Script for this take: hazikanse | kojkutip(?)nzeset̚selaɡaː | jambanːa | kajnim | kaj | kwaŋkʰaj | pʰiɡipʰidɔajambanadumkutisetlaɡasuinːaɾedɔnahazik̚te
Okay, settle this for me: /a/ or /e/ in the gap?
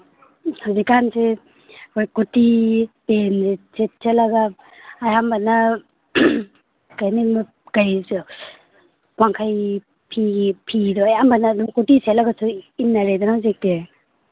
e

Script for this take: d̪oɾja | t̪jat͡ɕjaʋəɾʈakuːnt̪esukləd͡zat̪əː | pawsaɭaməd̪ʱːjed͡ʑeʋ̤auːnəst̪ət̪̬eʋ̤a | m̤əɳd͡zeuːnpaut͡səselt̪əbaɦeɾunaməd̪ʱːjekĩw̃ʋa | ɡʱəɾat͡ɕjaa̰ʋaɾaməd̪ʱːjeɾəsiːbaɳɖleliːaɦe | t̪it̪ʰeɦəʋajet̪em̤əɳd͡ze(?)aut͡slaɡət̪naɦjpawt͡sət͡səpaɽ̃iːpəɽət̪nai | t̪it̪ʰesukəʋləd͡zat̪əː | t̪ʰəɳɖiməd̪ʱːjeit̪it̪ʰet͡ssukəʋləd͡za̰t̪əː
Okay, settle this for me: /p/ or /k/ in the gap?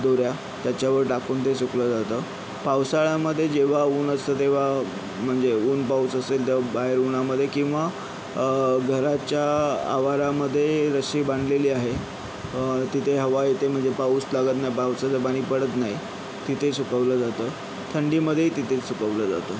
p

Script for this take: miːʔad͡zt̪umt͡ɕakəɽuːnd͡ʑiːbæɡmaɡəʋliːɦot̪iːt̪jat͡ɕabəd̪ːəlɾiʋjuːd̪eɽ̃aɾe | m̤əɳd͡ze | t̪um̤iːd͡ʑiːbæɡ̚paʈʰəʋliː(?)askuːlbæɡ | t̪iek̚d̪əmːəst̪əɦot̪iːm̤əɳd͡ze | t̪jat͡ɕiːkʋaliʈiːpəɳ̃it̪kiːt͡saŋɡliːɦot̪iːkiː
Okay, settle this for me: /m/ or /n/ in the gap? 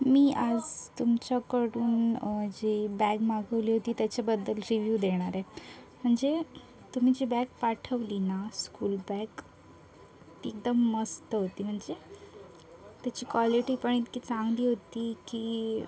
n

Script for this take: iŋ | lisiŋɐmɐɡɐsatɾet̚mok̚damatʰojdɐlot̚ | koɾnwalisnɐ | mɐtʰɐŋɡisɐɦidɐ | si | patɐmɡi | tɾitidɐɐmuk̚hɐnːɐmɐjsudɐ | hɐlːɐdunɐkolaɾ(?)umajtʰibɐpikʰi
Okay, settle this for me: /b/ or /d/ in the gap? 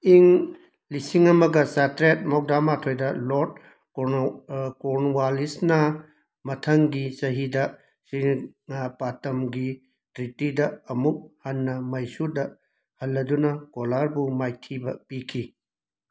b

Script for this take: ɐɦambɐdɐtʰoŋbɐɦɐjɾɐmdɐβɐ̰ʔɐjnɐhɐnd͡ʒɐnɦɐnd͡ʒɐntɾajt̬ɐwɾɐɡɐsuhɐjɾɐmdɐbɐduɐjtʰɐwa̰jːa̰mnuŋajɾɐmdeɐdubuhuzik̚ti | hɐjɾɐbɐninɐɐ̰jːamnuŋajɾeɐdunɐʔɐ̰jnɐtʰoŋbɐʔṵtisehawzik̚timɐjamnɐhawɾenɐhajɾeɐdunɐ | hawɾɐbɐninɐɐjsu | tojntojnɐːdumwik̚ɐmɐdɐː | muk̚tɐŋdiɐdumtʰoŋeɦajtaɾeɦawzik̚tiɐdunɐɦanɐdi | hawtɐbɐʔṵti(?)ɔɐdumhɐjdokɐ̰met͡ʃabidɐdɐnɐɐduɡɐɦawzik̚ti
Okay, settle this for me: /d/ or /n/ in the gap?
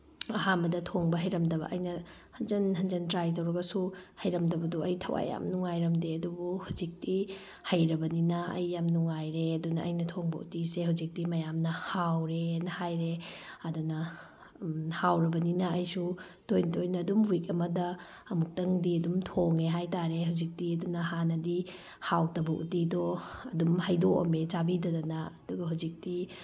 d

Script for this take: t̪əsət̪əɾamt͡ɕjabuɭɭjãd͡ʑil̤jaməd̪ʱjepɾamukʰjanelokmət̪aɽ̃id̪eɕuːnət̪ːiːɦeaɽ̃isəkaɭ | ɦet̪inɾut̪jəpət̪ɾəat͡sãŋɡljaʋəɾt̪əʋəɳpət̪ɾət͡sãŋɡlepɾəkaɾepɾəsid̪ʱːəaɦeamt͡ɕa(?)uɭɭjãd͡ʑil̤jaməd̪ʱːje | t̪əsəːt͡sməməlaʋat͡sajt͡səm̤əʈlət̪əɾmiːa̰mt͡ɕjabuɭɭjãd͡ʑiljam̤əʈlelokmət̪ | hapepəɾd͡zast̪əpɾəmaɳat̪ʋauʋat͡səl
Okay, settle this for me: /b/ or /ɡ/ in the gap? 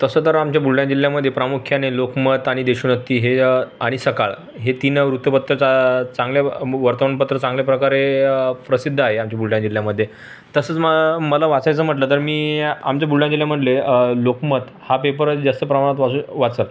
b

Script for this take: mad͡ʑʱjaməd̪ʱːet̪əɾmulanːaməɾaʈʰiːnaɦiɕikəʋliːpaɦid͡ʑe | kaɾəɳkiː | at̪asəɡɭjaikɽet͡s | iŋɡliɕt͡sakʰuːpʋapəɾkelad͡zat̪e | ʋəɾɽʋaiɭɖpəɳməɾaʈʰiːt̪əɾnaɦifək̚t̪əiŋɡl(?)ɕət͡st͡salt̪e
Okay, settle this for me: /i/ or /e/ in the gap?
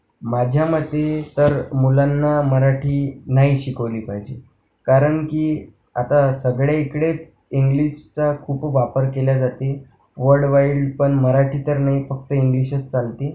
i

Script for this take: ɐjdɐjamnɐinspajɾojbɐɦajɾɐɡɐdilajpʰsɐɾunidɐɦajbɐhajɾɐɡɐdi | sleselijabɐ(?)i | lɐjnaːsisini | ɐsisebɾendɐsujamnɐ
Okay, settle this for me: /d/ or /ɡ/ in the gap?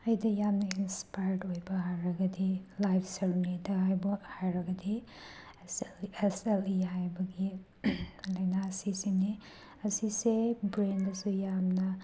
ɡ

